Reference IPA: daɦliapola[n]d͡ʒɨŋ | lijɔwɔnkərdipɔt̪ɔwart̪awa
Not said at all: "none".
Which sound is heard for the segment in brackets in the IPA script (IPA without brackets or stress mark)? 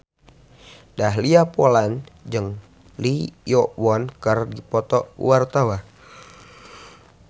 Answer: n